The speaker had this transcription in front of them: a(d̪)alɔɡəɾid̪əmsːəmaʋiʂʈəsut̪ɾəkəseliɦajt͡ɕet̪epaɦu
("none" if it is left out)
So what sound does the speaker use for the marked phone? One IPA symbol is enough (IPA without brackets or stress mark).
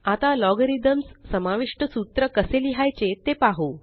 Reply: t̪